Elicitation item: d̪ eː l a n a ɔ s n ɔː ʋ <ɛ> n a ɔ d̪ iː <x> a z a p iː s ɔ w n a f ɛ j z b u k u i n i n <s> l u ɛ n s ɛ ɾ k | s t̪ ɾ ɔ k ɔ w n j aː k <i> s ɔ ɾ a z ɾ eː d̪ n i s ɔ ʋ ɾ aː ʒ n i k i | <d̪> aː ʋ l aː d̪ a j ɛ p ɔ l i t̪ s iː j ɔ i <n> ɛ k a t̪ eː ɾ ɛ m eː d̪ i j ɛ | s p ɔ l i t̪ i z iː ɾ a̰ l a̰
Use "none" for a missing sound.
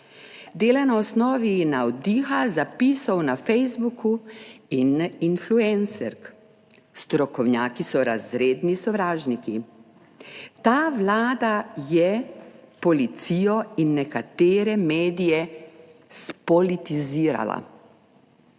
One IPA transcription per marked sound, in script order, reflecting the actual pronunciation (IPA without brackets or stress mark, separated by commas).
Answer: i, x, f, i, t̪, nː